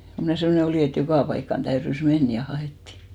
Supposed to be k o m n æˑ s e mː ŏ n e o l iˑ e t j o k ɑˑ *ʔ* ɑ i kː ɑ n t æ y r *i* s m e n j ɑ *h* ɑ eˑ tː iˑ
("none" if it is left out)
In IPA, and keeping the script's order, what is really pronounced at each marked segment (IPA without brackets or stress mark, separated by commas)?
p, y, h